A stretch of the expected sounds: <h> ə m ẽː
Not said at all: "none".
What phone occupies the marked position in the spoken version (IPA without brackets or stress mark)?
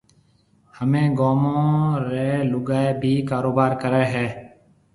h